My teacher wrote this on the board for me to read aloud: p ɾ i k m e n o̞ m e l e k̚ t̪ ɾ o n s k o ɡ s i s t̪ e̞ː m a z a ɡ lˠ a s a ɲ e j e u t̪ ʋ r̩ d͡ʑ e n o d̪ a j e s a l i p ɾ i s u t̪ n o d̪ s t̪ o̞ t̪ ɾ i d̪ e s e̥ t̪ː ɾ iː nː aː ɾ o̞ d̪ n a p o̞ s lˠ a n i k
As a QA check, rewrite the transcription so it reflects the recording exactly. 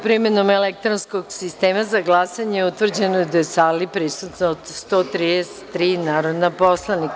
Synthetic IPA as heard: p ɾ i m e n o̞ m e l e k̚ t̪ ɾ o n s k o ɡ s i s t̪ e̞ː m a z a ɡ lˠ a s a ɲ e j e u t̪ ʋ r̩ d͡ʑ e n o d̪ a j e s a l i p ɾ i s u t̪ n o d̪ s t̪ o̞ t̪ ɾ i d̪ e s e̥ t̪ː ɾ iː n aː ɾ o̞ d̪ n a p o̞ s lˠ a n i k